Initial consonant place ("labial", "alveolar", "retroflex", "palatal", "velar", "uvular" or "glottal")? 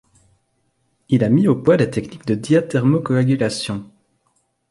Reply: alveolar